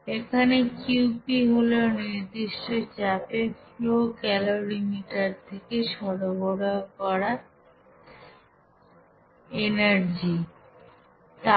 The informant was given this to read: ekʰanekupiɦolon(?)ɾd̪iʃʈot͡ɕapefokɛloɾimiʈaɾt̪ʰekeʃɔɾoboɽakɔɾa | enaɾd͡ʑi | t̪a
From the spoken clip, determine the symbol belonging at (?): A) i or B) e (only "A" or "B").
A